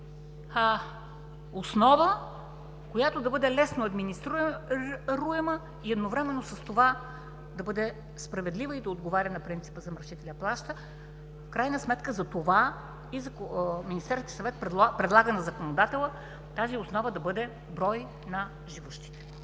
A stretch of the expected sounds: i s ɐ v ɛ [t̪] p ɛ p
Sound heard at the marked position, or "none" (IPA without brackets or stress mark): t̪